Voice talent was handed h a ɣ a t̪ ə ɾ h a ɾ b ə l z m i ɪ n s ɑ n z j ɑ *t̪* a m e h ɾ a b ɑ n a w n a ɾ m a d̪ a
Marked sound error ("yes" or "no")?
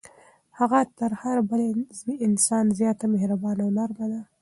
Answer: no